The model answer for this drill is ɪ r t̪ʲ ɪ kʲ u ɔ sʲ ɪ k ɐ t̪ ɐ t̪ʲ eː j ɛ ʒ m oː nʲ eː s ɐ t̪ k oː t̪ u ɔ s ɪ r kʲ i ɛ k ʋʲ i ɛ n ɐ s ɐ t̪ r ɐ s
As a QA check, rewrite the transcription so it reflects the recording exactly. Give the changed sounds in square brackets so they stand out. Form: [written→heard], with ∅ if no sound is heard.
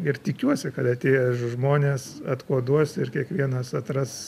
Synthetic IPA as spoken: ɪ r t̪ʲ ɪ kʲ u ɔ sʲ ɪ k ɐ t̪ ɐ t̪ʲ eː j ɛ ʒ m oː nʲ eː s ɐ t̪ k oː [t̪→d̪] u ɔ s ɪ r kʲ i ɛ k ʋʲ i ɛ n ɐ s ɐ t̪ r ɐ s